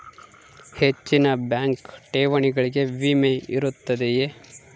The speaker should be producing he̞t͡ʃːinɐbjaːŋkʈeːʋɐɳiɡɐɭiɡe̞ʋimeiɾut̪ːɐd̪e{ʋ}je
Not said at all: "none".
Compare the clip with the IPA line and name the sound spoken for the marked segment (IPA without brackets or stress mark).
none